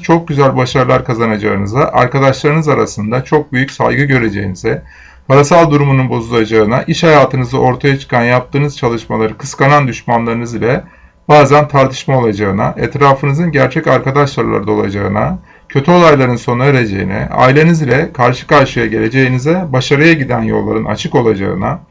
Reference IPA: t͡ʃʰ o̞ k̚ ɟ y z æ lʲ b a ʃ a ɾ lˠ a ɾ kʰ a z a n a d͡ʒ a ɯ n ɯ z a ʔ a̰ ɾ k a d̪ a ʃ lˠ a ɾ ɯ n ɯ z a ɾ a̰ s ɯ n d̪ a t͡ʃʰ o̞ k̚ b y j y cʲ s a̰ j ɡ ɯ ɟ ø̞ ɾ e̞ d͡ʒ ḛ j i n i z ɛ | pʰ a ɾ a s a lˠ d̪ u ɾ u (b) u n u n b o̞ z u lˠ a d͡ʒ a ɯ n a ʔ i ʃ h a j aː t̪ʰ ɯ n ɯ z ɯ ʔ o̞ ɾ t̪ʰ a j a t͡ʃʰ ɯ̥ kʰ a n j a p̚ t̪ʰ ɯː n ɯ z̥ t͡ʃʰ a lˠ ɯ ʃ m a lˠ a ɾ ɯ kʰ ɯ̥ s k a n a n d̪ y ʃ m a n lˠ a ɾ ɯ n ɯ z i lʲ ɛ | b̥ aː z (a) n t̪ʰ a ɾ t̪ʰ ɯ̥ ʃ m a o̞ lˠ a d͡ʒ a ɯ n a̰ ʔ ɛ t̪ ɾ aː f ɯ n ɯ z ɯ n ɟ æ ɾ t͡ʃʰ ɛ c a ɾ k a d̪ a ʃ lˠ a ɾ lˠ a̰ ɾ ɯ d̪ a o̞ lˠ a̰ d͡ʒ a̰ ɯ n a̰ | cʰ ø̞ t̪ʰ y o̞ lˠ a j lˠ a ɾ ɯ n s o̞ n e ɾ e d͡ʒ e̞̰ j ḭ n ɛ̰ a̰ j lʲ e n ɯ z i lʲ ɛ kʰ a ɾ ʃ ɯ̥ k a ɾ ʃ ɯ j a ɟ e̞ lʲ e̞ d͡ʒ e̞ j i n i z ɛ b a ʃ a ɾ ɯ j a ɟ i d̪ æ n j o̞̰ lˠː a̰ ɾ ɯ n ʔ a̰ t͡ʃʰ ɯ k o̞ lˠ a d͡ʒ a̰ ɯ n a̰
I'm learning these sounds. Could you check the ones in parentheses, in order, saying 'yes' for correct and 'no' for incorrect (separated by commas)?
no, no